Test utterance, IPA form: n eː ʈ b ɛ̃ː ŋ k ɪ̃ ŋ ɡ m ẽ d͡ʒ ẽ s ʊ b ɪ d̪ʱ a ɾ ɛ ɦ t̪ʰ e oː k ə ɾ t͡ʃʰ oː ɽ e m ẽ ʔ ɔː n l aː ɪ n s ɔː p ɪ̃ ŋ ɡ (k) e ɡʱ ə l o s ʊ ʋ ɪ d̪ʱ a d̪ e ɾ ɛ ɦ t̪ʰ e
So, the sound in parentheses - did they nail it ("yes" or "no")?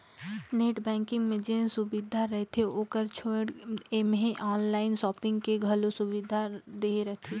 yes